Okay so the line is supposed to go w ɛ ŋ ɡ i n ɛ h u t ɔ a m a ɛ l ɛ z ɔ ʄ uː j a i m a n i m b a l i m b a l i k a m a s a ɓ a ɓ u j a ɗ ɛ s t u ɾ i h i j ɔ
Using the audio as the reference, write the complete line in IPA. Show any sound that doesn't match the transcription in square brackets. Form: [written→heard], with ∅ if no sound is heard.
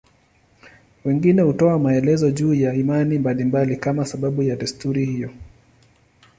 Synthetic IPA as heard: w ɛ ŋ ɡ i n ɛ h u t ɔ a m a ɛ l ɛ z ɔ ʄ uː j a i m a n i m b a l i m b a l i k a m a s a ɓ a ɓ u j a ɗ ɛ s t u ɾ i h i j ɔ